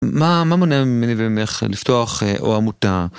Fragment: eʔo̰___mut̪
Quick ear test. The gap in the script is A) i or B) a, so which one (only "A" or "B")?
B